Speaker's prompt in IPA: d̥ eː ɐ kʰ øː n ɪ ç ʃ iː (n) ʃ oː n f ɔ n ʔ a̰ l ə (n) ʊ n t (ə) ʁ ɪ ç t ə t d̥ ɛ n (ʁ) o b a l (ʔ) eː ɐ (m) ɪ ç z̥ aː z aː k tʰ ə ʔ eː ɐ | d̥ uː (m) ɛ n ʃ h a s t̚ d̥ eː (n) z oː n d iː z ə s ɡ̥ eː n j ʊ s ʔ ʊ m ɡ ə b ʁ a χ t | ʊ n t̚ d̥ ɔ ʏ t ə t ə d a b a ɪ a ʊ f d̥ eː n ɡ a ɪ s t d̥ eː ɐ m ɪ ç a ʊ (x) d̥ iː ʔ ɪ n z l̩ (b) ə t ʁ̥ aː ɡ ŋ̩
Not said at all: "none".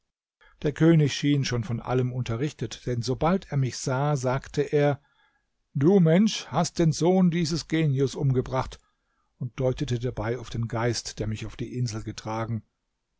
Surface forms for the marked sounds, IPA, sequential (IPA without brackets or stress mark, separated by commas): n, m, ɐ, z, t, m, m, n, f, ɡ